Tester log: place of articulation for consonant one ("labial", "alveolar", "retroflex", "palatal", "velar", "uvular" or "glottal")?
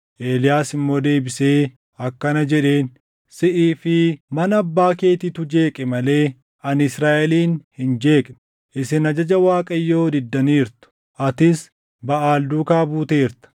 glottal